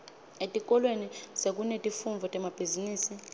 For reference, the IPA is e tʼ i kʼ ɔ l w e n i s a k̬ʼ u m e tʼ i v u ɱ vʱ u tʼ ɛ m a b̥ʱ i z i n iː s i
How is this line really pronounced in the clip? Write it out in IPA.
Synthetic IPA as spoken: e tʼ i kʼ ɔ l w e n i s e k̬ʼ u n e tʼ i f u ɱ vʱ ɔ tʼ ɛ m a b̥ʱ i z i n iː s i